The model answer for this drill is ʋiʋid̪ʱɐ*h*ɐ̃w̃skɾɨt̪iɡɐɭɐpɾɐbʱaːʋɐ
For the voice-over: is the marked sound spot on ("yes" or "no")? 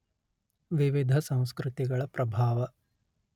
no